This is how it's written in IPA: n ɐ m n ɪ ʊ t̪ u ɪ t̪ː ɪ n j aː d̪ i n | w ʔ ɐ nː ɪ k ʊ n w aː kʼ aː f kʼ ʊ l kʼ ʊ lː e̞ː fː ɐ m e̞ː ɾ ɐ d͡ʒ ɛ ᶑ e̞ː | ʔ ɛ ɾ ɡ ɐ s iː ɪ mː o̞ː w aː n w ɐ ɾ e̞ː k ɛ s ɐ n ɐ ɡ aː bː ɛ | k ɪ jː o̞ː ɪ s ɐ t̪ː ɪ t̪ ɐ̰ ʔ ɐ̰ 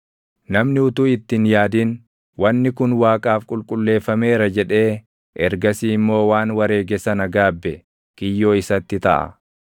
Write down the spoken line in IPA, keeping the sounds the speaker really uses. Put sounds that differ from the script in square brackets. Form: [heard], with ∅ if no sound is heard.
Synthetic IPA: n ɐ m n ɪ ʊ t̪ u ɪ t̪ː ɪ n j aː d̪ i n | w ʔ ɐ nː ɪ k ʊ n w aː kʼ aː f kʼ ʊ l kʼ ʊ lː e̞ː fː ɐ m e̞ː ɾ ɐ d͡ʒ ɛ ᶑ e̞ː | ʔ ɛ ɾ ɡ ɐ s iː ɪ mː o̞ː w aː n w ɐ ɾ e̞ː [ɡ] ɛ s ɐ n ɐ ɡ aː bː ɛ | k ɪ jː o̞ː ɪ s ɐ t̪ː ɪ t̪ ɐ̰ ʔ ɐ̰

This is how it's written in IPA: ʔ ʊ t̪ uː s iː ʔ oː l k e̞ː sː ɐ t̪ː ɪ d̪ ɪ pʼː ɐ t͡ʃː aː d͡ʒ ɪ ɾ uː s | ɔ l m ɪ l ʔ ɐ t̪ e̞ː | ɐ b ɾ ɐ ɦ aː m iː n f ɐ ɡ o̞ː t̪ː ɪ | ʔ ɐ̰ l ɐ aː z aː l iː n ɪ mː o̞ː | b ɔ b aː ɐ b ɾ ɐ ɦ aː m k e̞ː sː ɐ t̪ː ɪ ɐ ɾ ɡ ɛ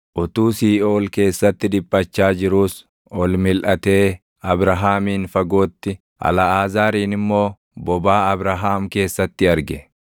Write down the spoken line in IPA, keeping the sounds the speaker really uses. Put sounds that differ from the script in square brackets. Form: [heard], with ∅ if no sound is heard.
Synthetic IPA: ʔ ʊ t̪ uː s iː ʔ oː l k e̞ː sː ɐ t̪ː ɪ d̪ ɪ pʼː ɐ t͡ʃː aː d͡ʒ ɪ ɾ uː s | ɔ l m ɪ l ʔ ɐ t̪ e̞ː | ɐ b ɾ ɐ ɦ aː m iː n f ɐ ɡ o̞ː t̪ː ɪ | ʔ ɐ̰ l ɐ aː z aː [ɾ] iː n ɪ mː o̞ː | b ɔ b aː ɐ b ɾ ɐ ɦ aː m k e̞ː sː ɐ t̪ː ɪ ɐ ɾ ɡ ɛ

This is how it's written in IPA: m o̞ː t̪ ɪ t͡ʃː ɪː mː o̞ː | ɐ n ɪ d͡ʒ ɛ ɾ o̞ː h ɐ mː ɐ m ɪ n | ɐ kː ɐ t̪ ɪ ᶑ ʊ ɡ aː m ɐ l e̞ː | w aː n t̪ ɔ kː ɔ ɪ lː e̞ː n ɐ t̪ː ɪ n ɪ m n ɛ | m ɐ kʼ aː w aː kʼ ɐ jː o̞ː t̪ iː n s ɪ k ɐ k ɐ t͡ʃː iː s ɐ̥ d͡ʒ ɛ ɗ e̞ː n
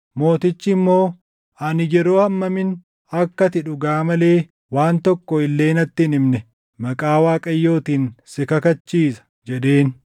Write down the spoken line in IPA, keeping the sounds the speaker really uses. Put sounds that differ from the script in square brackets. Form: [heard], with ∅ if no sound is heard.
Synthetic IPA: m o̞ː t̪ ɪ t͡ʃː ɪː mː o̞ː | ɐ n ɪ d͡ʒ ɛ ɾ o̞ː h ɐ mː ɐ m ɪ n | ɐ kː ɐ t̪ ɪ ᶑ ʊ ɡ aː m ɐ l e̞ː | w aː n t̪ ɔ kː ɔ ɪ lː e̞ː n ɐ t̪ː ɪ n ɪ m n ɛ | m ɐ kʼ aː w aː kʼ ɐ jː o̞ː t̪ iː n s ɪ k ɐ k ɐ t͡ʃː iː s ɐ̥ d͡ʒ ɛ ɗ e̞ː n

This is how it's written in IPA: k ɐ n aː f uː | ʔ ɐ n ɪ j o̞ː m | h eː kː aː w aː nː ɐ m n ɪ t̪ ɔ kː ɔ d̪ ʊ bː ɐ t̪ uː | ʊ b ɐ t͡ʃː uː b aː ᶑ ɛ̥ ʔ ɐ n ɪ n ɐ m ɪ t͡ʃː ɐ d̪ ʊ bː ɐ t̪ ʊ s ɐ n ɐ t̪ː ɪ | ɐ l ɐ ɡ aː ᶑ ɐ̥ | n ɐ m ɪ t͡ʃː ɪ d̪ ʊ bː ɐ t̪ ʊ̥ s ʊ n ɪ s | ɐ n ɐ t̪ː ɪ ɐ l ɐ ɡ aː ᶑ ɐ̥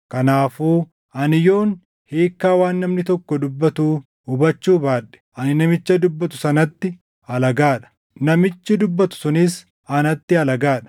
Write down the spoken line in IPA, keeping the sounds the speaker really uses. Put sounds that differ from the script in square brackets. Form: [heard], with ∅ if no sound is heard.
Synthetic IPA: k ɐ n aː f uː | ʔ ɐ n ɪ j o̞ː [n] | h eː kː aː w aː nː ɐ m n ɪ t̪ ɔ kː ɔ d̪ ʊ bː ɐ t̪ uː | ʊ b ɐ t͡ʃː uː b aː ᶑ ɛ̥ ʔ ɐ n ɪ n ɐ m ɪ t͡ʃː ɐ d̪ ʊ bː ɐ t̪ ʊ s ɐ n ɐ t̪ː ɪ | ɐ l ɐ ɡ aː ᶑ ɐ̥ | n ɐ m ɪ t͡ʃː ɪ d̪ ʊ bː ɐ t̪ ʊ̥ s ʊ n ɪ s | ɐ n ɐ t̪ː ɪ ɐ l ɐ ɡ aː ᶑ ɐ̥

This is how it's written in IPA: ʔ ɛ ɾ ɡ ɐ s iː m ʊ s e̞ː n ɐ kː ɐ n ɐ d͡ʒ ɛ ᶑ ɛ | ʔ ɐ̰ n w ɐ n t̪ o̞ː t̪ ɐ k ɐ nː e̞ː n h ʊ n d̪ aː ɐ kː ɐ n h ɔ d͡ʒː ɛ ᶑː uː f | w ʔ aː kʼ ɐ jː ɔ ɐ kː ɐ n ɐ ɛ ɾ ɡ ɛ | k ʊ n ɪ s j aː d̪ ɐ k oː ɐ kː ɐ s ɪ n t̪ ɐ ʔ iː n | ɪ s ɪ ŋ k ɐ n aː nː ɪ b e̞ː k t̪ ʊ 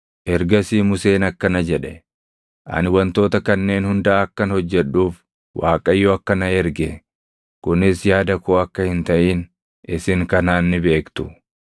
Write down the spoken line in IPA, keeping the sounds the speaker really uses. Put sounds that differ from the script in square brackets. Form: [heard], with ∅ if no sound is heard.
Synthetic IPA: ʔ ɛ ɾ ɡ ɐ s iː m ʊ s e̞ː n ɐ kː ɐ n ɐ d͡ʒ ɛ ᶑ ɛ | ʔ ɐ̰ n w ɐ n t̪ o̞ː t̪ ɐ k ɐ nː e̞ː n h ʊ n d̪ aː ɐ kː ɐ n h ɔ d͡ʒː ɛ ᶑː uː f | w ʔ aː kʼ ɐ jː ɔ ɐ kː ɐ n ɐ ɛ ɾ ɡ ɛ | k ʊ n ɪ s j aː d̪ ɐ k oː ɐ kː ɐ [h] ɪ n t̪ ɐ ʔ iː n | ɪ s ɪ ŋ k ɐ n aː nː ɪ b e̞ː k t̪ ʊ

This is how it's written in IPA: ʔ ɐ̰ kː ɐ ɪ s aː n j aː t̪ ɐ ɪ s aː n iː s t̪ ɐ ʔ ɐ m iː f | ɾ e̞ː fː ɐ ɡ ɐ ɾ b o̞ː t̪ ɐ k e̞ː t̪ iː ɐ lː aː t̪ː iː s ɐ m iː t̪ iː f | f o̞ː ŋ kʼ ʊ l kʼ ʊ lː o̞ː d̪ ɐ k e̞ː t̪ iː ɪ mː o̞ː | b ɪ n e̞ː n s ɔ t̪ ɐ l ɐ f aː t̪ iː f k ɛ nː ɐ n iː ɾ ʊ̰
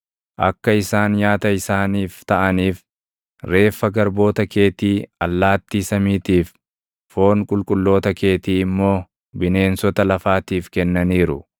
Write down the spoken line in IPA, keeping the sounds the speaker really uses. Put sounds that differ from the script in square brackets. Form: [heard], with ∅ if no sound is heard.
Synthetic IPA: ʔ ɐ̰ kː ɐ ɪ s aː n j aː t̪ ɐ ɪ s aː n iː [f] t̪ ɐ ʔ ɐ [n] iː f | ɾ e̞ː fː ɐ ɡ ɐ ɾ b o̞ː t̪ ɐ k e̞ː t̪ iː ɐ lː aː t̪ː iː s ɐ m iː t̪ iː f | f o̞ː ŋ kʼ ʊ l kʼ ʊ lː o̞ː [t̪] ɐ k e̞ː t̪ iː ɪ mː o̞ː | b ɪ n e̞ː n s ɔ t̪ ɐ l ɐ f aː t̪ iː f k ɛ nː ɐ n iː ɾ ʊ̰

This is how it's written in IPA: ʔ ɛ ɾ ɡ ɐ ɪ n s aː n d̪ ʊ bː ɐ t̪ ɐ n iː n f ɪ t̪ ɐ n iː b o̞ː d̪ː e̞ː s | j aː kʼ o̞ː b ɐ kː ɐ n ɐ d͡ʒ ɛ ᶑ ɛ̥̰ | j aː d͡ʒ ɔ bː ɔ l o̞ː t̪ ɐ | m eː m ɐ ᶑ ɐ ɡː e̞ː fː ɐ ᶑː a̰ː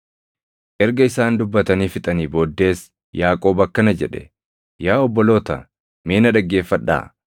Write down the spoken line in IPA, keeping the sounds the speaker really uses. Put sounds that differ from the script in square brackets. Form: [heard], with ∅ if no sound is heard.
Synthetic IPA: ʔ ɛ ɾ ɡ ɐ ɪ [∅] s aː n d̪ ʊ bː ɐ t̪ ɐ n iː [∅] f ɪ [t̪ʼ] ɐ n iː b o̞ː d̪ː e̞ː s | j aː kʼ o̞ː b ɐ kː ɐ n ɐ d͡ʒ ɛ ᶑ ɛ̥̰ | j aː [∅] ɔ bː ɔ l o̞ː t̪ ɐ | m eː [n] ɐ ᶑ ɐ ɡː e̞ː fː ɐ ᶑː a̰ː

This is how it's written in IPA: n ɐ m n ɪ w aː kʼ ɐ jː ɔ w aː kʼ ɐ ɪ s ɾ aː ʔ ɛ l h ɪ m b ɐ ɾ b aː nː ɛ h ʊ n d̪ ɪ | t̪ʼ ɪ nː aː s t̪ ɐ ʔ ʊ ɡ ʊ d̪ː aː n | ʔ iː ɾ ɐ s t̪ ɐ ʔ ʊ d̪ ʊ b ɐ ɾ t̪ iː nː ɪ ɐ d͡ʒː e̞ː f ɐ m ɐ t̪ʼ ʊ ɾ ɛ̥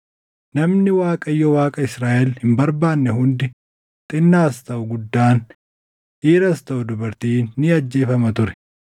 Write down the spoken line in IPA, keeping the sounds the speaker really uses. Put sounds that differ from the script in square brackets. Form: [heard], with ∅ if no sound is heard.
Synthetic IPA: n ɐ m n ɪ w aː kʼ ɐ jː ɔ w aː kʼ ɐ ɪ s ɾ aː ʔ ɛ l h ɪ m b ɐ ɾ b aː nː ɛ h ʊ n d̪ ɪ | t̪ʼ ɪ nː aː s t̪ ɐ ʔ ʊ ɡ ʊ d̪ː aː n | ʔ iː ɾ ɐ s t̪ ɐ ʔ ʊ d̪ ʊ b ɐ ɾ t̪ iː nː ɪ ɐ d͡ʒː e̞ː f ɐ m ɐ [t̪] ʊ ɾ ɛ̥

